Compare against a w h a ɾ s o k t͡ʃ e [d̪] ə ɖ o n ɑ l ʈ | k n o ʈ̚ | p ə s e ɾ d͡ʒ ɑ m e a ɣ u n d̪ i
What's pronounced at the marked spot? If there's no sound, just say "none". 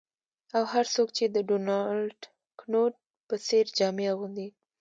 d̪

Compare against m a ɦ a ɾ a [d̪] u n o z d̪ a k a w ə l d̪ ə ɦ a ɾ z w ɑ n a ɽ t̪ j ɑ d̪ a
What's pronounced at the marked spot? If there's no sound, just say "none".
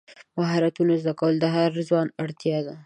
t̪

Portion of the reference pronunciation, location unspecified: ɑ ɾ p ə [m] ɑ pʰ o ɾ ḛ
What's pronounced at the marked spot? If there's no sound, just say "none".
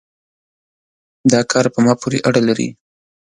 m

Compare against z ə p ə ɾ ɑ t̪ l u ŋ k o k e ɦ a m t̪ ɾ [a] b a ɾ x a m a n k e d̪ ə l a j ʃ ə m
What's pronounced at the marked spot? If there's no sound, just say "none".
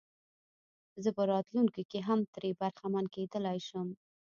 e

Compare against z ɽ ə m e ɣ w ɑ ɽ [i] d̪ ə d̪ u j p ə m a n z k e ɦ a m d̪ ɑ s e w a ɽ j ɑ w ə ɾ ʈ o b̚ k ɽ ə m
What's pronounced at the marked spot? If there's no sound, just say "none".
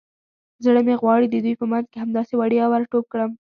i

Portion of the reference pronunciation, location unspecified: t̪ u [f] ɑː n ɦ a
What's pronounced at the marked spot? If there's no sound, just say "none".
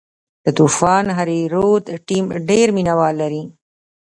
f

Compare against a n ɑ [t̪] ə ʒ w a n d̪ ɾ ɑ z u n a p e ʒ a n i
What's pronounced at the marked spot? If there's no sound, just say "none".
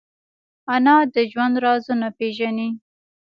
d̪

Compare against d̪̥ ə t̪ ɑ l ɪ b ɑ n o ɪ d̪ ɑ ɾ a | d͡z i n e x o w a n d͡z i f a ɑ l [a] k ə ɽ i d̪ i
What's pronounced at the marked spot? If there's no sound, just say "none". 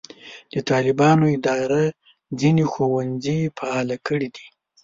a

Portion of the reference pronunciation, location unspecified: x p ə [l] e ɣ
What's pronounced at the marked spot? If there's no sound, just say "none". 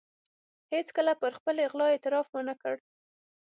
l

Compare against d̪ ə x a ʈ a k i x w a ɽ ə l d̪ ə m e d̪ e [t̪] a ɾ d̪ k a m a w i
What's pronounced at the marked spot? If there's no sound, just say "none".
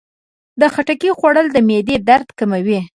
d̪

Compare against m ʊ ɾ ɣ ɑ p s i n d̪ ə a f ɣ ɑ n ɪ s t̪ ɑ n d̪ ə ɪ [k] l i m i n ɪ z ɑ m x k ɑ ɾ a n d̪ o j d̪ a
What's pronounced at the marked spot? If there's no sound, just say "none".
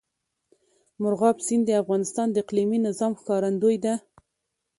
q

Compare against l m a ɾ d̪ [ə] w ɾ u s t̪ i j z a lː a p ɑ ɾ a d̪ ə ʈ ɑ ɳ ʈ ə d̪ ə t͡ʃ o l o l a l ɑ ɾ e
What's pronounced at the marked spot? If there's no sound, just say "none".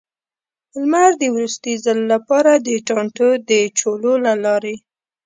ə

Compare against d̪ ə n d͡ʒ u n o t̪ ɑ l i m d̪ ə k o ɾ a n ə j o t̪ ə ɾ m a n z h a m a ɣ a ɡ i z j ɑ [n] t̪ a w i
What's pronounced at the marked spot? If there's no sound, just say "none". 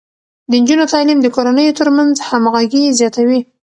none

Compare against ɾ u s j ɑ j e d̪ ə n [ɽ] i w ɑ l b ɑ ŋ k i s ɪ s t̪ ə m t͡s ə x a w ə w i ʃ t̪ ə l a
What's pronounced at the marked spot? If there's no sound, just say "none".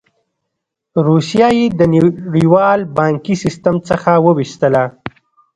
ɽ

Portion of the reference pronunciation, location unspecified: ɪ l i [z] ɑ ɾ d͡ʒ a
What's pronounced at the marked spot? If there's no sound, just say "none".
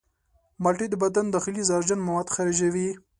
z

